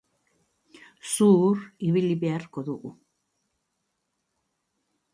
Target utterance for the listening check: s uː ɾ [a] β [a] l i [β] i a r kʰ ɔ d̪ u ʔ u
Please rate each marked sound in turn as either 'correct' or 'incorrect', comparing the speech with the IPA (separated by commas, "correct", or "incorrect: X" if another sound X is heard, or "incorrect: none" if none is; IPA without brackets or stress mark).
incorrect: i, incorrect: i, incorrect: b